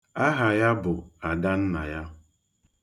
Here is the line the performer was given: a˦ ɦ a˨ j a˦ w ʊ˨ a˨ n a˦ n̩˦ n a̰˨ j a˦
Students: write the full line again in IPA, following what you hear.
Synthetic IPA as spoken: a˦ ɦ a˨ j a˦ b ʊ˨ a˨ d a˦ n̩˦ n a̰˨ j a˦